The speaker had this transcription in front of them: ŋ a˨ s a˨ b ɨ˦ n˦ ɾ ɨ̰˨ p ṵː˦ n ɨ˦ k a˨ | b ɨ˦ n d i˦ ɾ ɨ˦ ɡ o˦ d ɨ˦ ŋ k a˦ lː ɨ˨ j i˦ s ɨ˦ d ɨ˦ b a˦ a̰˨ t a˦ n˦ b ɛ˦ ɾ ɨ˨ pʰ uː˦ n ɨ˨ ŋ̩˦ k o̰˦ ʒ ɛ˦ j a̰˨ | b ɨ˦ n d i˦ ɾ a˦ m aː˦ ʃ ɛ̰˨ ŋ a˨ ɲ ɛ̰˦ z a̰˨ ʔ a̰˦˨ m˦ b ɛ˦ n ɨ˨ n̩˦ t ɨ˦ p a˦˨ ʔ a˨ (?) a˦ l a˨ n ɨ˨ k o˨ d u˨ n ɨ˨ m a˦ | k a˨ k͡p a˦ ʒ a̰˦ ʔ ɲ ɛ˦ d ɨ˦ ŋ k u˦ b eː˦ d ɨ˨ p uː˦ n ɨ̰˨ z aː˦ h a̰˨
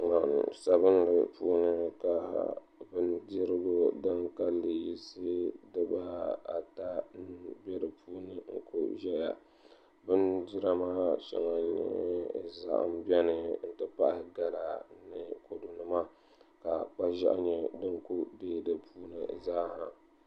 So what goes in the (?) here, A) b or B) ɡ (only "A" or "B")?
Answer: B